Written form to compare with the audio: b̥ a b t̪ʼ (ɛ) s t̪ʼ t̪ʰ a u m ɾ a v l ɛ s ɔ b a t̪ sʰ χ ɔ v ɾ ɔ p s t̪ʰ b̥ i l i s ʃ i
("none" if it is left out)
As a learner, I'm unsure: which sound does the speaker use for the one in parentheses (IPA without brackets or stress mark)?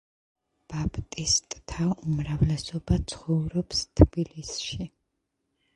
i